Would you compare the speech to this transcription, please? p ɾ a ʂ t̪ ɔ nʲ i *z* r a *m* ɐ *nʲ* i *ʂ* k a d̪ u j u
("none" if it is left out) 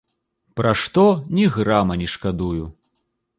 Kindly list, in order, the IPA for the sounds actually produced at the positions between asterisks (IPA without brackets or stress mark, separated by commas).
ɣ, m, nʲ, ʂ